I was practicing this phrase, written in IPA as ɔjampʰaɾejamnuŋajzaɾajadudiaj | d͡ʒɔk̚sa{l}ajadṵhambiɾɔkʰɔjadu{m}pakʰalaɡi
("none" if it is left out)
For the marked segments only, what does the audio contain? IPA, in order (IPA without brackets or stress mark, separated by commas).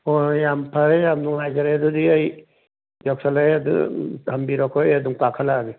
l, ŋ